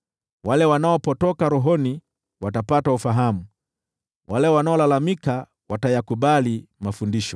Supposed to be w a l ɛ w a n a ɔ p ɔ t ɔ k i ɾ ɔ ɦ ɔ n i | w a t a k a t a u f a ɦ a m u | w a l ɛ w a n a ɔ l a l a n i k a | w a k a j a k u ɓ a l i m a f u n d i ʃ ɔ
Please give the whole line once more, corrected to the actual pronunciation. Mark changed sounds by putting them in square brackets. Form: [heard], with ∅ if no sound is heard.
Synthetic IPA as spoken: w a l ɛ w a n a ɔ p ɔ t ɔ k [a] ɾ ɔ ɦ ɔ n i | w a t a [p] a t a u f a ɦ a m u | w a l ɛ w a n a ɔ l a l a [m] i k a | w a [t] a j a k u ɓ a l i m a f u n d i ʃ ɔ